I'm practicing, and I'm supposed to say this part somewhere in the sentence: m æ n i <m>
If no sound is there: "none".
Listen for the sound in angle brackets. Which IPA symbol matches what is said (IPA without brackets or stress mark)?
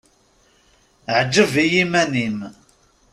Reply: m